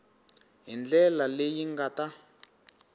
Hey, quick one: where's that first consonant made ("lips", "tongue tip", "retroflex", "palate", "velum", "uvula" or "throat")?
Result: throat